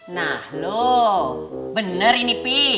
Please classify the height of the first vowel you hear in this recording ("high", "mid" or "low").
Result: low